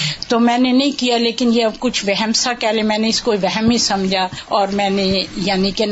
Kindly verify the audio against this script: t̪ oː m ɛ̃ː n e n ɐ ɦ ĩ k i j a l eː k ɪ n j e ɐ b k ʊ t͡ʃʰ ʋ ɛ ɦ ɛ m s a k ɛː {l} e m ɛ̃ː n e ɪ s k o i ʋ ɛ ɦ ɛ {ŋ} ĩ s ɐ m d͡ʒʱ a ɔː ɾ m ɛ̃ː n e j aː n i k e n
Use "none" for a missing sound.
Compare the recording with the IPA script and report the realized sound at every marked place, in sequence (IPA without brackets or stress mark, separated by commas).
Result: l, m